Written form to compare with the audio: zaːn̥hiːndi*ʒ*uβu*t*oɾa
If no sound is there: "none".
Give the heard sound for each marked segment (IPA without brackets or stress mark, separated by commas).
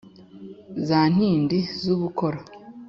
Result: z, k